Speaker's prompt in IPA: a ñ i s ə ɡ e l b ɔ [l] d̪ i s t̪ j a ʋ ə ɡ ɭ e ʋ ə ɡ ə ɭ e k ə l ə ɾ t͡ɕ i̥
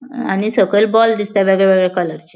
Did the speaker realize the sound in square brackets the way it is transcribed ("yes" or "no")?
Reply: yes